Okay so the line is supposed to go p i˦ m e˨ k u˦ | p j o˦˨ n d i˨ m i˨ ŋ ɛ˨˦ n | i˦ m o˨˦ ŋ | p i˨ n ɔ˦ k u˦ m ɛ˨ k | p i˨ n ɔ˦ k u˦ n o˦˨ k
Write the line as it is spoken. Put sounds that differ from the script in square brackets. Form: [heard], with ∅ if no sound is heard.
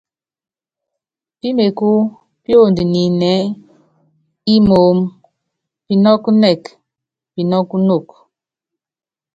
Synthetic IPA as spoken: p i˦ m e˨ k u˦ | p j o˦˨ n d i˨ [n] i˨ [n] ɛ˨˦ [∅] | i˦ m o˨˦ [m] | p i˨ n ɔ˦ k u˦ [n] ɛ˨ k | p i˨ n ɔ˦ k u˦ n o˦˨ k